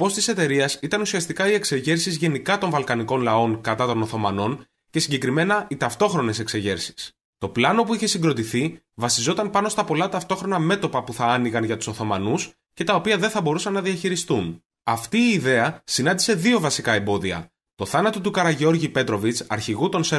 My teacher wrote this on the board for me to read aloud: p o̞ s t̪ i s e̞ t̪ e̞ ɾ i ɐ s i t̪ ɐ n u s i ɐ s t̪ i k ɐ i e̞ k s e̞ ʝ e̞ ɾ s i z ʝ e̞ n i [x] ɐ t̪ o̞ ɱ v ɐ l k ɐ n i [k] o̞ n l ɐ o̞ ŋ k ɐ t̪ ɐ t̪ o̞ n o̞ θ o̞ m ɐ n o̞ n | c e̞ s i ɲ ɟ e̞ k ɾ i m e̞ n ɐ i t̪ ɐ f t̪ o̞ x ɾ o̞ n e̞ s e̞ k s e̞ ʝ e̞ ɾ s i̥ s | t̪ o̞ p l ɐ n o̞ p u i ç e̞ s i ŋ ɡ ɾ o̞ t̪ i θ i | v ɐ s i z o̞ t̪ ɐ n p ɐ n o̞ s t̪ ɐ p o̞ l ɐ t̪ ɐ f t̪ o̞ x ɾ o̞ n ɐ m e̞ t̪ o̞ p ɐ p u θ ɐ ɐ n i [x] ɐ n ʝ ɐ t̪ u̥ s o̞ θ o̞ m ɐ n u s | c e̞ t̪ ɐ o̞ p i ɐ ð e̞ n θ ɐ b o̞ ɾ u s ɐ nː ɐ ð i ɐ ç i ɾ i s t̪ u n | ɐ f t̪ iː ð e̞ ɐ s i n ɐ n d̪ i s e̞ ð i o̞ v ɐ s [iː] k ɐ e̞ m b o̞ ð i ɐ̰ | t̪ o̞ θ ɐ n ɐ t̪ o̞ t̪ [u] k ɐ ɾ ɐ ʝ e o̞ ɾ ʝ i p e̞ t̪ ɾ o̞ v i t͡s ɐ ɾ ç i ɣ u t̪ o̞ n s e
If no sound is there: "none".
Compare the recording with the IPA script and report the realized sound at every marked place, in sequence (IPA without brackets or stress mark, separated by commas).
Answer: k, k, ɣ, i, u